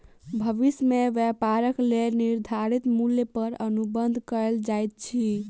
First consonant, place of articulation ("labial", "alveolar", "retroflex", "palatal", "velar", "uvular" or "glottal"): labial